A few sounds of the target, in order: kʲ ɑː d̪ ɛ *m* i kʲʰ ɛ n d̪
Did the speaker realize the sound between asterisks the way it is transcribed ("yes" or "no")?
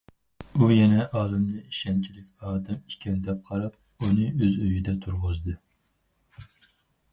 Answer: yes